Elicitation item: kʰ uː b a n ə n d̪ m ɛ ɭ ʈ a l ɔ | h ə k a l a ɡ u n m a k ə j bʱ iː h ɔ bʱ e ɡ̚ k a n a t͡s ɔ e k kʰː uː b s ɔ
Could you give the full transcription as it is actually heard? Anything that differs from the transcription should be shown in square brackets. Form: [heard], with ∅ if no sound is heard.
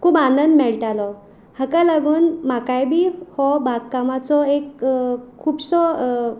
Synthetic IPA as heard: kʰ uː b a n ə n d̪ m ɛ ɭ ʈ a l ɔ | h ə k a l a ɡ [uː] n m a k [a] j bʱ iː h ɔ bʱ [a] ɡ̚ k a [m] a t͡s ɔ e k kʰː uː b s ɔ